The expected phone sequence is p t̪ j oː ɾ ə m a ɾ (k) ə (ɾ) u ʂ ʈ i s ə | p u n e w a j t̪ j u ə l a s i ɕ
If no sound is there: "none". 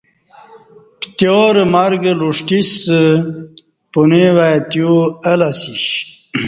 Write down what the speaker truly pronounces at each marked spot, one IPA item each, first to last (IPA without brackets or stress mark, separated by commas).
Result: ɡ, l